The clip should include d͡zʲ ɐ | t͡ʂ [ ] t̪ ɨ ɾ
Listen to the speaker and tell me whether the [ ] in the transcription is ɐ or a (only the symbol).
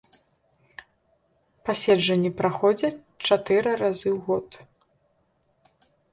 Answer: a